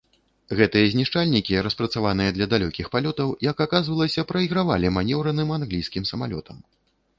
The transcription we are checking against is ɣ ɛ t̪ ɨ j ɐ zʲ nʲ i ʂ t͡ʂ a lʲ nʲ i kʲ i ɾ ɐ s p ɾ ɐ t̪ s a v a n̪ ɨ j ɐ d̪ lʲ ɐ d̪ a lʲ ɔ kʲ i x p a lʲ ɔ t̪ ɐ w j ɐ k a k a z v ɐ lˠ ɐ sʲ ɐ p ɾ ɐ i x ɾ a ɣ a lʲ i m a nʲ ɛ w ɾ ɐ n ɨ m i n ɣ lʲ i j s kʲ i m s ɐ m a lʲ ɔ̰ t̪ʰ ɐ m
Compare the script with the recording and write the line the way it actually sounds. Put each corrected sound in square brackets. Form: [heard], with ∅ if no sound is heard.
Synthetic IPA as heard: ɣ ɛ t̪ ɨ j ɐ zʲ nʲ i ʂ t͡ʂ a lʲ nʲ i kʲ i ɾ ɐ s p ɾ ɐ t̪ s a v a n̪ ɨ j ɐ d̪ lʲ ɐ d̪ a lʲ ɔ kʲ i x p a lʲ ɔ t̪ ɐ w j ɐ k a k a z v ɐ lˠ ɐ sʲ ɐ p ɾ ɐ i [ɣ] ɾ a [v] a lʲ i m a nʲ ɛ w ɾ ɐ n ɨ m [a] n ɣ lʲ i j s kʲ i m s ɐ m a lʲ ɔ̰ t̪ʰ ɐ m